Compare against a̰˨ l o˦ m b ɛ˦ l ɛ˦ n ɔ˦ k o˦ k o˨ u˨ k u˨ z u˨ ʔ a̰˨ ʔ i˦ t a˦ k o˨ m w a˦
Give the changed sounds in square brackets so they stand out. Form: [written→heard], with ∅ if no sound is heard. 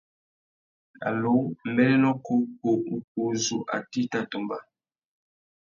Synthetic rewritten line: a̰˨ l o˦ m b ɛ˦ l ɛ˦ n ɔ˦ k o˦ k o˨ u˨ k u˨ z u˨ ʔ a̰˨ [ʔ→t] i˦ t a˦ [k→t] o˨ m [w→b] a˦